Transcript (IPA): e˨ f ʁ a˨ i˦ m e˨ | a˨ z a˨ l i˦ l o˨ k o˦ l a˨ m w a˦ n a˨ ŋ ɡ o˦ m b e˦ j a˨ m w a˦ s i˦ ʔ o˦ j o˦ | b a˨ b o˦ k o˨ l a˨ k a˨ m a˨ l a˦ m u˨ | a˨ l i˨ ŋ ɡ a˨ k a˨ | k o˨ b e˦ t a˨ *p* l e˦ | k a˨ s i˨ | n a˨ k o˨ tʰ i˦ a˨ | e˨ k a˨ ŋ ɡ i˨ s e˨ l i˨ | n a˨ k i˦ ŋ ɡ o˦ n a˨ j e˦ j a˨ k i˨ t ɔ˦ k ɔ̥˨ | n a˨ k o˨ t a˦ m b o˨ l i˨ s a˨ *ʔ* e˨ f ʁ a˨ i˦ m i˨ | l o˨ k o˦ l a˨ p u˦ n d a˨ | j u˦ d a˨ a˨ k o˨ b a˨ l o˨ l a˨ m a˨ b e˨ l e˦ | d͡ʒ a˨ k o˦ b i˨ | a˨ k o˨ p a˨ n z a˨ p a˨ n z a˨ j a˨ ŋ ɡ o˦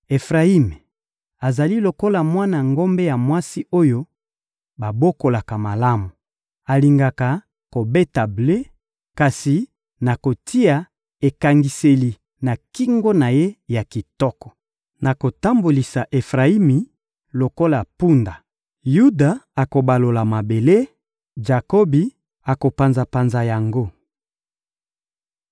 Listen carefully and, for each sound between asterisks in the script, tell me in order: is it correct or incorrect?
incorrect: b, correct

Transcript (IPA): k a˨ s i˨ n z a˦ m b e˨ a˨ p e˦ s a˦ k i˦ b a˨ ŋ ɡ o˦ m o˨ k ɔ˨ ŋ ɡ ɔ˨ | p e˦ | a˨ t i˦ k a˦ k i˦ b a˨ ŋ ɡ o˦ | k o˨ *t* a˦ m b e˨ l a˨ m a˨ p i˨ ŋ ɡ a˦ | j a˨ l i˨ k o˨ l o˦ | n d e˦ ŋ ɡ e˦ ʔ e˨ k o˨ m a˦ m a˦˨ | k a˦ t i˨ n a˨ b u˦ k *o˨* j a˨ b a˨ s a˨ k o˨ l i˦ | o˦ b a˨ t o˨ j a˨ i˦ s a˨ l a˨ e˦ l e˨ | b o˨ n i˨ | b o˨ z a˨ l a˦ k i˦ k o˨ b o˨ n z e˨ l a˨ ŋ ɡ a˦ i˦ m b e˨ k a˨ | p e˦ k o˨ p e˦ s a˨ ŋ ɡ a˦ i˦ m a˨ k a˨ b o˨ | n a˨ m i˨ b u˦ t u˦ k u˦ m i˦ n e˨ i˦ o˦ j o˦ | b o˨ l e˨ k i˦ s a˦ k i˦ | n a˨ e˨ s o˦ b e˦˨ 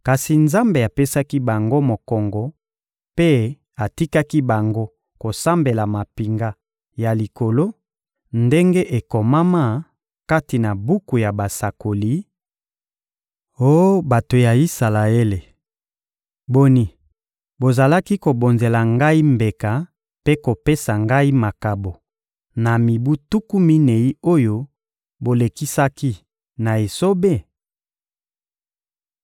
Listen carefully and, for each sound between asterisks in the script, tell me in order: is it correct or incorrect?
incorrect: s, incorrect: u˨

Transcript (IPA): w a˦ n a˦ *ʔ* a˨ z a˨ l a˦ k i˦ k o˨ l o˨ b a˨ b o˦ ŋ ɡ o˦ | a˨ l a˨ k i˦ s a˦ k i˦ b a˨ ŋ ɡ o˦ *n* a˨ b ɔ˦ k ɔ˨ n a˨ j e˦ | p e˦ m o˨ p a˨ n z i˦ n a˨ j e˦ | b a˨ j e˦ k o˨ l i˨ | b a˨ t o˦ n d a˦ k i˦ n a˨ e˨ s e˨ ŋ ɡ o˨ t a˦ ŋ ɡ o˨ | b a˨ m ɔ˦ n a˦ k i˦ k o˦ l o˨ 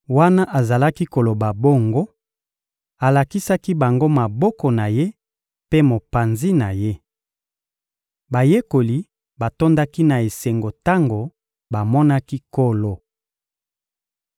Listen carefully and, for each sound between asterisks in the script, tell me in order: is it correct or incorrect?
correct, incorrect: m

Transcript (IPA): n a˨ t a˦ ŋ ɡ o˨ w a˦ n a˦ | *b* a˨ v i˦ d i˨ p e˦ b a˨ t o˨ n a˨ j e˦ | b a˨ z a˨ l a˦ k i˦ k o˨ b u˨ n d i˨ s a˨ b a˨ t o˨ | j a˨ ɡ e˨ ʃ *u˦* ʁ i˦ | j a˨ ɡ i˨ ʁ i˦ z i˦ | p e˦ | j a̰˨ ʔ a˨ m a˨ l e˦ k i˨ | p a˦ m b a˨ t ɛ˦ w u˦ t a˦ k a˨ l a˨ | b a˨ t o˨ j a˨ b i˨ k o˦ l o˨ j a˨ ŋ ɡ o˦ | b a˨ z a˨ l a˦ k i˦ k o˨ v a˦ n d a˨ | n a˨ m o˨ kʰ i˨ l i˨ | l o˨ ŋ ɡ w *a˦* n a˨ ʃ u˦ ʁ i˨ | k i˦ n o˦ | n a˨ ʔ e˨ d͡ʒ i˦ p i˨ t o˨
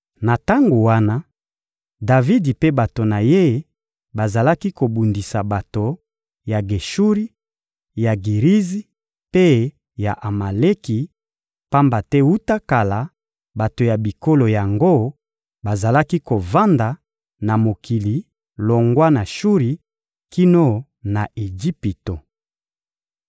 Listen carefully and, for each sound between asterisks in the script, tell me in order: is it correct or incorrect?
incorrect: d, correct, correct

